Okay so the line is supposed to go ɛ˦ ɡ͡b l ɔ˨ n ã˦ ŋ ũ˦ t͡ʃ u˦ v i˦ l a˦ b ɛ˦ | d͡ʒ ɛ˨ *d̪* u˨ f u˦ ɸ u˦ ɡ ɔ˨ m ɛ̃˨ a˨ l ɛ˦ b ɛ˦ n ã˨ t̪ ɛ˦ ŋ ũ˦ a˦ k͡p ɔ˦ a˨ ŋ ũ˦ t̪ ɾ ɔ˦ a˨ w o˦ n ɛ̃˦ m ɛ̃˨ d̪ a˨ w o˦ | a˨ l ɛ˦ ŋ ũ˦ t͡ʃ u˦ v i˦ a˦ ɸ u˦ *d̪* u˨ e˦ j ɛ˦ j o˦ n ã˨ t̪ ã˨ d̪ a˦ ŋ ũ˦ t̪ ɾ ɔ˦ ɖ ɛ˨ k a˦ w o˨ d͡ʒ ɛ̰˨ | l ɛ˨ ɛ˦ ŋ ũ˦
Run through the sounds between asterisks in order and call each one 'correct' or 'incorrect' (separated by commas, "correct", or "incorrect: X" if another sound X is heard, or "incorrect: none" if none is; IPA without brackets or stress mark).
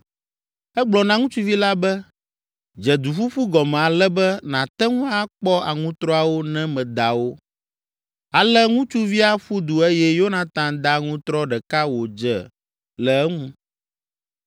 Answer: correct, correct